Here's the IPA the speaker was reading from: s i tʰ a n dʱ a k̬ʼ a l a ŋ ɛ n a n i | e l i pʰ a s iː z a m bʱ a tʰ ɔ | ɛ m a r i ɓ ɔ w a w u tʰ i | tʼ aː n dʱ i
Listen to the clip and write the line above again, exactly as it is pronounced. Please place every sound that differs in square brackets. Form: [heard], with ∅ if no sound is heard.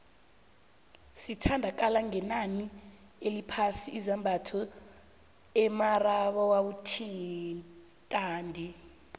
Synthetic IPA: s i tʰ a n dʱ a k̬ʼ a l a ŋ ɛ n a n i | e l i pʰ a s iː z a m bʱ a tʰ ɔ | ɛ m a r [a] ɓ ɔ w a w u tʰ i | tʼ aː n dʱ i

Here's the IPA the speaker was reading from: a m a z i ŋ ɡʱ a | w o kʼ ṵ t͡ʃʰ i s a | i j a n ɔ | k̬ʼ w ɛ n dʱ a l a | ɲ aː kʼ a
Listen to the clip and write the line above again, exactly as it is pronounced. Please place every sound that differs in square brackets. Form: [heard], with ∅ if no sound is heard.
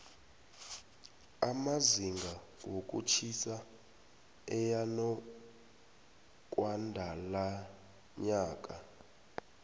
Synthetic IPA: a m a z i ŋ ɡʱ a | w o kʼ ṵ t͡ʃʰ i s a | [ɛ] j a n ɔ | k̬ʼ w [a] n dʱ a l a | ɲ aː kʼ a

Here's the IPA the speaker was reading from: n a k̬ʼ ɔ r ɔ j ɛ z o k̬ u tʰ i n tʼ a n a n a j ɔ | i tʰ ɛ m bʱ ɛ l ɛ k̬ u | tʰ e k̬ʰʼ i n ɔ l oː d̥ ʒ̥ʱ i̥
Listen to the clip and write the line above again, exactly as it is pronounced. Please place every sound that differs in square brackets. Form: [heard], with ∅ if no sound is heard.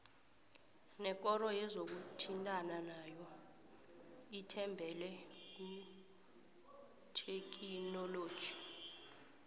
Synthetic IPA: n [ɛ] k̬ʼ ɔ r ɔ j ɛ z o k̬ u tʰ i n tʼ a n a n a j ɔ | i tʰ ɛ m bʱ ɛ l ɛ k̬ u | tʰ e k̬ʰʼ i n ɔ l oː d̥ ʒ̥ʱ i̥

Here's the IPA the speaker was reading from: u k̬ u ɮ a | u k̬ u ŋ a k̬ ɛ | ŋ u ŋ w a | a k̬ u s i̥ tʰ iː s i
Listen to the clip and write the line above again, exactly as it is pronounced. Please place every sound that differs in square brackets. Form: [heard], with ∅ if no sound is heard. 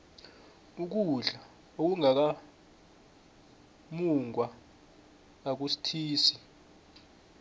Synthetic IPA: u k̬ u ɮ a | [o] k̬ u ŋ a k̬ [a] | [m] u ŋ w a | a k̬ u s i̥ tʰ iː s i

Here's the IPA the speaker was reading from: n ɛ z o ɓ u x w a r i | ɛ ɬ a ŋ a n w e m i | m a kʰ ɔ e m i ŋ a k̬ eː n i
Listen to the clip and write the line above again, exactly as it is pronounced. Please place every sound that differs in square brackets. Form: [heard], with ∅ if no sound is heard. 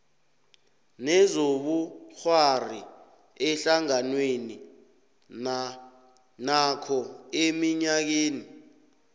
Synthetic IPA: n ɛ z o ɓ u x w a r i | ɛ ɬ a ŋ a n w e [n] i | [n] a kʰ ɔ e m i [ɲ] a k̬ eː n i

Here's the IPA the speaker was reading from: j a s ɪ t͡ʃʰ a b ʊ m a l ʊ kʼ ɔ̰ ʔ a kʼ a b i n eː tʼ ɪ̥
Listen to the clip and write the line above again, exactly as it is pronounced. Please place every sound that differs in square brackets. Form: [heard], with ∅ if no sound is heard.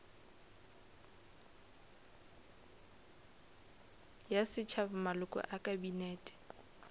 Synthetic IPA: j a s ɪ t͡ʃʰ a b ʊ m a l ʊ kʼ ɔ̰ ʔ a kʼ a b i n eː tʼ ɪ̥

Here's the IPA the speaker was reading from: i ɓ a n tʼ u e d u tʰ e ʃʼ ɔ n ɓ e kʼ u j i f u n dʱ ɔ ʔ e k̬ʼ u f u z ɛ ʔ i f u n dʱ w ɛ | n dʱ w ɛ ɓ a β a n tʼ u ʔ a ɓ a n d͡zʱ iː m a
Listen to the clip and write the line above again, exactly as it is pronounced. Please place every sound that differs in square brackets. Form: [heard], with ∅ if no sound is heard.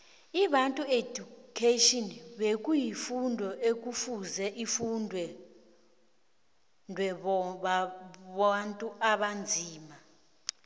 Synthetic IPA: i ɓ a n tʼ u e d u [kʰ] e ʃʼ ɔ n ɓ e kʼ u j i f u n dʱ ɔ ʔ e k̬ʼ u f u z ɛ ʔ i f u n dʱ w ɛ | n dʱ w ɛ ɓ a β a n tʼ u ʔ a ɓ a n d͡zʱ iː m a

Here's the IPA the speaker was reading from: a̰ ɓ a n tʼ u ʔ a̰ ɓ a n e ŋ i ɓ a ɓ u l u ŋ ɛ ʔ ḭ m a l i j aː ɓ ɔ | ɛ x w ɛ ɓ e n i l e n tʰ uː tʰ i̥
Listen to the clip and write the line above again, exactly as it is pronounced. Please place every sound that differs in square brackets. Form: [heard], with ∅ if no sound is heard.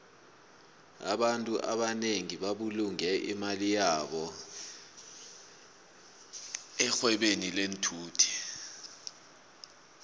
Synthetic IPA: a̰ ɓ a n tʼ u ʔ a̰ ɓ a n e ŋ i ɓ a ɓ u l u ŋ ɛ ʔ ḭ m a l i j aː ɓ ɔ | ɛ x w ɛ ɓ e n i l e n tʰ uː tʰ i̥

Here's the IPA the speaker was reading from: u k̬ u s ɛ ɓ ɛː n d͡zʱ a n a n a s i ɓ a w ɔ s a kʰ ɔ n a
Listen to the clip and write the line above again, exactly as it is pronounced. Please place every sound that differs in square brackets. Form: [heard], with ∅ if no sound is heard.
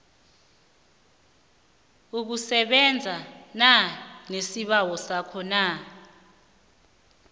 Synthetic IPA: u k̬ u s ɛ ɓ [ɛ] n d͡zʱ a n a n [e] s i ɓ a w ɔ s a kʰ ɔ n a

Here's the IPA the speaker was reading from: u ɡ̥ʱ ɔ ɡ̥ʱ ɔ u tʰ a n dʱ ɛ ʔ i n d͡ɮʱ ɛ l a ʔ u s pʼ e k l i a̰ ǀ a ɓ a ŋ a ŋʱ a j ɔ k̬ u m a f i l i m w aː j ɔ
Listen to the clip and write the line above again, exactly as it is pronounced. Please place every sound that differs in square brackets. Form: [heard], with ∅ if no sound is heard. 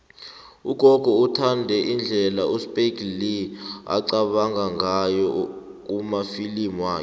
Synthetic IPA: u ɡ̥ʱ ɔ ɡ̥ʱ ɔ u tʰ a n dʱ ɛ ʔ i n d͡ɮʱ ɛ l a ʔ u s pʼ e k l i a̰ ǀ a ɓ a ŋ a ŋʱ a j ɔ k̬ u m a f i l i m w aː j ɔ

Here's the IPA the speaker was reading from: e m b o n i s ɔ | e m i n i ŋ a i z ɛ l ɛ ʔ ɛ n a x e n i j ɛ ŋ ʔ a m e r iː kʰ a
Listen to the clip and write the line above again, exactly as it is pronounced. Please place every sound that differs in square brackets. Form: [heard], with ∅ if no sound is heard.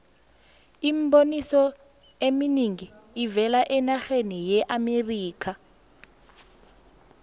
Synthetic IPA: [i] m b o n i s ɔ | e m i n i ŋ [i] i [v] ɛ l [a] ʔ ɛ n a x e n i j ɛ [∅] ʔ a m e r iː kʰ a

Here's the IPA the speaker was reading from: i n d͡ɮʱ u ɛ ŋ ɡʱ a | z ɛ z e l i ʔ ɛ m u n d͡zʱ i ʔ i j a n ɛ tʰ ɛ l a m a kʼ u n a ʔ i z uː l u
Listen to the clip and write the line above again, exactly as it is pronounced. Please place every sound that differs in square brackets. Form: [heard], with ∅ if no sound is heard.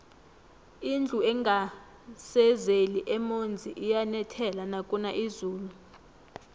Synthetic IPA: i n d͡ɮʱ u ɛ ŋ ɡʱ a | [s] ɛ z e l i ʔ ɛ m [o] n d͡zʱ i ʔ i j a n ɛ tʰ ɛ l a [n] a kʼ u n a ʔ i z uː l u

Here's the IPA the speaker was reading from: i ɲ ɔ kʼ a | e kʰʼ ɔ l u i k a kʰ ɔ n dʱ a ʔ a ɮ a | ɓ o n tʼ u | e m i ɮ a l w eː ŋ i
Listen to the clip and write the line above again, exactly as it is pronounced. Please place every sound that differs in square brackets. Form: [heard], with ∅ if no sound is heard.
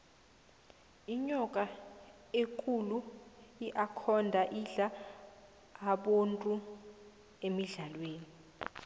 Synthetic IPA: i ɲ ɔ kʼ a | e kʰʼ [u] l u i [ʔ] a kʰ ɔ n dʱ a ʔ [i] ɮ a | ɓ o n tʼ u | e m i ɮ a l w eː [n] i

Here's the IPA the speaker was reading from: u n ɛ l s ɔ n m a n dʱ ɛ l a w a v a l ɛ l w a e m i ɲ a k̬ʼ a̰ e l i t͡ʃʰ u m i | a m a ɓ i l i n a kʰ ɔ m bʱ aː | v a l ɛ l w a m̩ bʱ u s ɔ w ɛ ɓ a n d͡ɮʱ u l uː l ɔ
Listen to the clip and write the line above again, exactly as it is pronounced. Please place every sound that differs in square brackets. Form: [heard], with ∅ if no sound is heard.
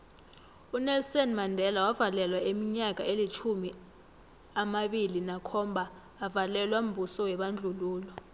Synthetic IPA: u n ɛ l s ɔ n m a n dʱ ɛ l a w a v a l ɛ l w a e m i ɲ a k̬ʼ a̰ e l i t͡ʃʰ u m i | a m a ɓ i l i n a kʰ ɔ m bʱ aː | v a l ɛ l w a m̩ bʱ u s ɔ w ɛ ɓ a n d͡ɮʱ u l uː l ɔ

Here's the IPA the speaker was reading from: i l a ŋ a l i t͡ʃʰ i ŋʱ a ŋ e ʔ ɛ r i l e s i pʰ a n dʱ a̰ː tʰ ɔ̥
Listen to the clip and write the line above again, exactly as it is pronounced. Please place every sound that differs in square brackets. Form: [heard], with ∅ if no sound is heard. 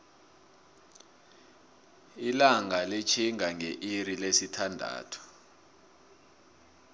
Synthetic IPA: i l a ŋ a l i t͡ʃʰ i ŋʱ a ŋ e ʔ [i] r i l e s i [tʰ] a n dʱ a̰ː tʰ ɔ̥

